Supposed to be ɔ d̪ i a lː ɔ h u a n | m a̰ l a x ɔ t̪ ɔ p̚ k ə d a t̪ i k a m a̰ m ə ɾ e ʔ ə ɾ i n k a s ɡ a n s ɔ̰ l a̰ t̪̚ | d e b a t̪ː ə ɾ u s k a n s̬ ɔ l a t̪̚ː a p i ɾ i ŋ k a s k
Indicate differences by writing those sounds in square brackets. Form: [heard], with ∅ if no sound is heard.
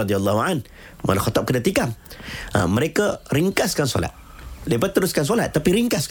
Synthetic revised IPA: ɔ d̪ i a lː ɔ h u a n | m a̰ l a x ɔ t̪ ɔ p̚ k ə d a t̪ i k a m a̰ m ə ɾ e [k] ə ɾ i [ŋ] k a s [k] a n s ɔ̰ l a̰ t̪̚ | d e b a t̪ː ə ɾ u s k a n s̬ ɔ l a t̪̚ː a p i ɾ i ŋ k a s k